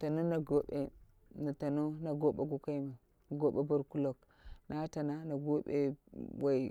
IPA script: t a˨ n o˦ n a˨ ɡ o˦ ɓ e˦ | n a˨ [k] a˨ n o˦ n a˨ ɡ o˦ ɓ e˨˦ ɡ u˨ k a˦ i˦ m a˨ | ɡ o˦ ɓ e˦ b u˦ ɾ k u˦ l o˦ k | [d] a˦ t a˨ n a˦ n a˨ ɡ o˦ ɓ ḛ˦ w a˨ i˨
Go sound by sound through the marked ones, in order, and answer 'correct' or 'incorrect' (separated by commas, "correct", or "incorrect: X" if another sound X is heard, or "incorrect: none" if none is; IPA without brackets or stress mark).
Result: incorrect: t, incorrect: n